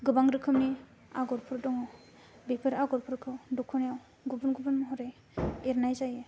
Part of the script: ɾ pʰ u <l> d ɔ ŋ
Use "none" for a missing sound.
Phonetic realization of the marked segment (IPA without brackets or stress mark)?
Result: ɾ